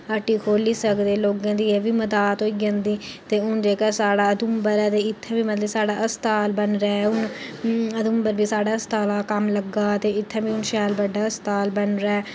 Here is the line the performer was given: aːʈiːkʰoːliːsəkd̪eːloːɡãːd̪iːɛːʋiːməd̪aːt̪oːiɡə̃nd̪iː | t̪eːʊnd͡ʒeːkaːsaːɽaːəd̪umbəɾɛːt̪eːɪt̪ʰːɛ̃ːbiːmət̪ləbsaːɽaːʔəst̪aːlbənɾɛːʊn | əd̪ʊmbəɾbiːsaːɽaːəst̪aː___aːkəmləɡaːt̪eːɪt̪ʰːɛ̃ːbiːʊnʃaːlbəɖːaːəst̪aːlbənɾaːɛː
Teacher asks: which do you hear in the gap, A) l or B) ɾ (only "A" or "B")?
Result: A